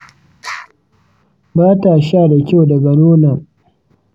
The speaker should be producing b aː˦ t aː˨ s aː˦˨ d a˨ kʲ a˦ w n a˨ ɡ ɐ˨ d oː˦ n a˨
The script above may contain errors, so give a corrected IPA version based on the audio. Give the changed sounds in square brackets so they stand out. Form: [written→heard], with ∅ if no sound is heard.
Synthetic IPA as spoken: b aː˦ t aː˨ [s→ʃ] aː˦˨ d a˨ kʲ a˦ w [n→d] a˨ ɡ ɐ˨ [d→n] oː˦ n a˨